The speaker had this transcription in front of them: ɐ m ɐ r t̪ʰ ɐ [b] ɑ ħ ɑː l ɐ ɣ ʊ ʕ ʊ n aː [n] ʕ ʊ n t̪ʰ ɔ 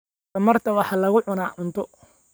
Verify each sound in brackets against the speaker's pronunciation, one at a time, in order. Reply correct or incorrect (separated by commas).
incorrect, incorrect